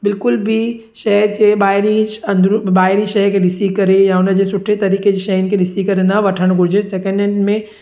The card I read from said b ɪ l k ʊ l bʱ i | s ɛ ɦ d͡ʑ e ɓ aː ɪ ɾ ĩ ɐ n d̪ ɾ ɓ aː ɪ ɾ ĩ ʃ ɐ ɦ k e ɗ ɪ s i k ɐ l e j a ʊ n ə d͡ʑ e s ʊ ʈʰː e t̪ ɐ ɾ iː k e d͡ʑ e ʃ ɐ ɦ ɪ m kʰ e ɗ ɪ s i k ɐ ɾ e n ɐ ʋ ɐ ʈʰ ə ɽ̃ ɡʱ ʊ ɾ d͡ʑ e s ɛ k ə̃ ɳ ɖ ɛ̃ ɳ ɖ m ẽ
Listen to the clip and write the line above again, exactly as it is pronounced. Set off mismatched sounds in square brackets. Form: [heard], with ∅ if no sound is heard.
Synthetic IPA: b ɪ l k ʊ l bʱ i | [ʃ] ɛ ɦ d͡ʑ e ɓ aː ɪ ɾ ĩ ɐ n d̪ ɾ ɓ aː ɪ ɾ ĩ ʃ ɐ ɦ k e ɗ ɪ s i k ɐ [ɾ] e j a ʊ n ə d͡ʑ e s ʊ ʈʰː e t̪ ɐ ɾ iː k e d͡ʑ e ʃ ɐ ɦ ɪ [n] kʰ e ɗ ɪ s i k ɐ ɾ e n ɐ ʋ ɐ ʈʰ ə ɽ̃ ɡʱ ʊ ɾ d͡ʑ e s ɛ k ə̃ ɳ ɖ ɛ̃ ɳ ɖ m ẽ